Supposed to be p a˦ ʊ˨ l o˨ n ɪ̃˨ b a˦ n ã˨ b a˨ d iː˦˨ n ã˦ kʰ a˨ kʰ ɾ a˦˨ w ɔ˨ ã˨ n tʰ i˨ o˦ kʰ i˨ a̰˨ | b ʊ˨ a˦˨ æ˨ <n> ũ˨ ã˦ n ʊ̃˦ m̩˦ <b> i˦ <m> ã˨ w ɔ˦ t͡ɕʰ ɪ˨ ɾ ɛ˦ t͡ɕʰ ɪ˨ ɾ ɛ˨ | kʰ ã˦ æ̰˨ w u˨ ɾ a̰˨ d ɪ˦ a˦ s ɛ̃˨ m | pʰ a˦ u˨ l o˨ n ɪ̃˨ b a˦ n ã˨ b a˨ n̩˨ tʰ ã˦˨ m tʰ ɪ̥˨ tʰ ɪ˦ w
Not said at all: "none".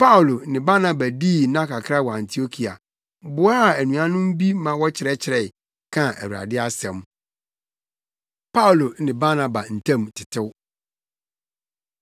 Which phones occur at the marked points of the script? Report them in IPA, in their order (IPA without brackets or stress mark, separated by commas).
n, b, m